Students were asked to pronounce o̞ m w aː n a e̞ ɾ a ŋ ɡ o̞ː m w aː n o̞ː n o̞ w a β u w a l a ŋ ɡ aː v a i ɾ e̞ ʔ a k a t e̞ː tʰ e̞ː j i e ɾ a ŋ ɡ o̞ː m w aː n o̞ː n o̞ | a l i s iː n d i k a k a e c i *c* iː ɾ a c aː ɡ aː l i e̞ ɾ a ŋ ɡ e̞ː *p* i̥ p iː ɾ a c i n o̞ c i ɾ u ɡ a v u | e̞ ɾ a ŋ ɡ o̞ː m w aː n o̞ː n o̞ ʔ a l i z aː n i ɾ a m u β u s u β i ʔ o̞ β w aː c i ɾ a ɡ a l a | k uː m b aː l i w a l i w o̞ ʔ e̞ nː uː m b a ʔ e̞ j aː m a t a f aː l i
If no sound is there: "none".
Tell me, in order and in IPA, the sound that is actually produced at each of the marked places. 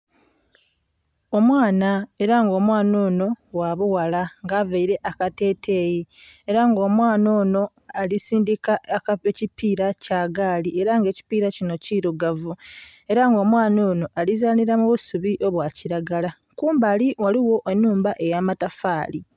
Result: p, c

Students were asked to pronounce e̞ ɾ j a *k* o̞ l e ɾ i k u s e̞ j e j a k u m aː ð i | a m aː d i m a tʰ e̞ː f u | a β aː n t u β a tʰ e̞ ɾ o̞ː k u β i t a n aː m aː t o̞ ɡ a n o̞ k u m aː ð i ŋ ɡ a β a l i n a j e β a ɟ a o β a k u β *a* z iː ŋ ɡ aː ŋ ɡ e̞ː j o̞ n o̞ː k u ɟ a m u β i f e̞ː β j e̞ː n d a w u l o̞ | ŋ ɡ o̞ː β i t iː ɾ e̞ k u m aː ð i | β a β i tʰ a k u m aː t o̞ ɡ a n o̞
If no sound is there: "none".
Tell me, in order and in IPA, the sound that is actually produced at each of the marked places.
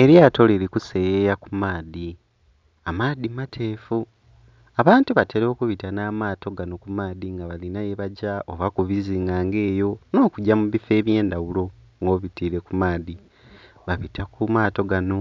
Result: t, i

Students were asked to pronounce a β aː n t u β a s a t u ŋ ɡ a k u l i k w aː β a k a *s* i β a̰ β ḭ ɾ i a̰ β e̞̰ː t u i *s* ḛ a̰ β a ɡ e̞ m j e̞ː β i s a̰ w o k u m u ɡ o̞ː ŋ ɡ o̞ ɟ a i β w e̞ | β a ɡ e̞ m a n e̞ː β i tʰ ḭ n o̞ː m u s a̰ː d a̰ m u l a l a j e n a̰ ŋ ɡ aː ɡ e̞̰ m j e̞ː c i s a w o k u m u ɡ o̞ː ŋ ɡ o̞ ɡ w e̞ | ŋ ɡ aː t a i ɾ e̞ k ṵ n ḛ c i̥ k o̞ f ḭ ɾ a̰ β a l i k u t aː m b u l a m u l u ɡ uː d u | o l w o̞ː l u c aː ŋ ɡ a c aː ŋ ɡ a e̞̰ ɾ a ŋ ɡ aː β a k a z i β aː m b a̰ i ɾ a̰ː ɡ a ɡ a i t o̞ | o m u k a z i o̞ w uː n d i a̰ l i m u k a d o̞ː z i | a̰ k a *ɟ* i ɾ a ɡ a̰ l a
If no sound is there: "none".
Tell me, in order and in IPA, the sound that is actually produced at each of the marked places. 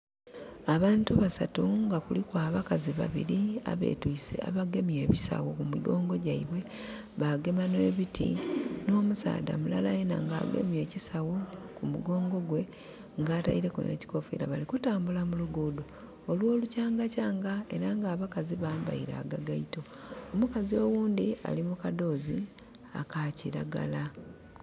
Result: z, s, c

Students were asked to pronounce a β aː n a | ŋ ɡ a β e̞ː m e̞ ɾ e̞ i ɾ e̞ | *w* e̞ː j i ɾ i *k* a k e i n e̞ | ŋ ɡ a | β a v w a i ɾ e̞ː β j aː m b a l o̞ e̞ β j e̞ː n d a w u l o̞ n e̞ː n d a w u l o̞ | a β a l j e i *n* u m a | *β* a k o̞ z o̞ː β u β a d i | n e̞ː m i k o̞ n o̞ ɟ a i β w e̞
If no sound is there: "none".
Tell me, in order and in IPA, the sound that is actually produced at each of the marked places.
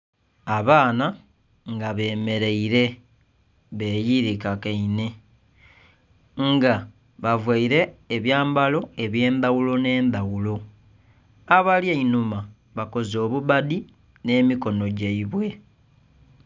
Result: β, k, n, β

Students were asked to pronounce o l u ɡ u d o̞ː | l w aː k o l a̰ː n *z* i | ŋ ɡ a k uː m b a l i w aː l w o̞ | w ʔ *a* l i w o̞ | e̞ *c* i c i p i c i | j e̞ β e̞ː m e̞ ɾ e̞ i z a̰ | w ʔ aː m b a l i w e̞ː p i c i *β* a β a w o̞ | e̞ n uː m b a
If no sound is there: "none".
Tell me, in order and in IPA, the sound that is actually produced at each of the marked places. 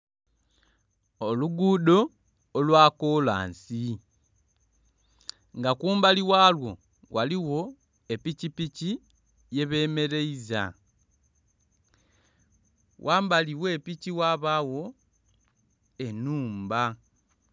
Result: s, a, p, w

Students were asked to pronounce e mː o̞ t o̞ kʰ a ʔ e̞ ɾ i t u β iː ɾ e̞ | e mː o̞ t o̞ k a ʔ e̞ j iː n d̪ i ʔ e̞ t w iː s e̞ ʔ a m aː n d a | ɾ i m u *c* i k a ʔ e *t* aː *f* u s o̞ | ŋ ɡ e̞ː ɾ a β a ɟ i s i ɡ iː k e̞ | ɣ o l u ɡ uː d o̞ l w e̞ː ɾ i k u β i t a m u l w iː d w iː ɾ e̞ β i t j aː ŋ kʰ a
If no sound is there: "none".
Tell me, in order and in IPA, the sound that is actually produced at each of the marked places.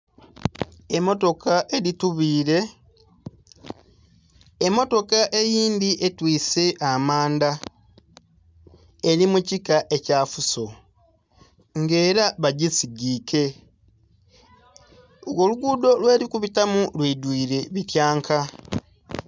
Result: c, c, f

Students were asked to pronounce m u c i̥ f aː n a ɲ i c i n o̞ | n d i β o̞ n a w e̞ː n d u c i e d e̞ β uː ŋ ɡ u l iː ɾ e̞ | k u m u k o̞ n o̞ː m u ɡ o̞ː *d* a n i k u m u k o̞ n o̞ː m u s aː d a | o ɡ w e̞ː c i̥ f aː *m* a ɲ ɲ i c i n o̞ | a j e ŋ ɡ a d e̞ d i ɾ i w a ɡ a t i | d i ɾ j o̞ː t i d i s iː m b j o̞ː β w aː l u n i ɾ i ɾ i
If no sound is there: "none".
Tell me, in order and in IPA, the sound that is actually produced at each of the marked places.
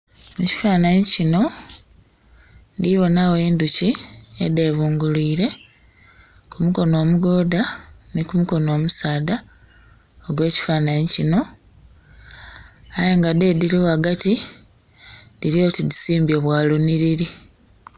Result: d, n

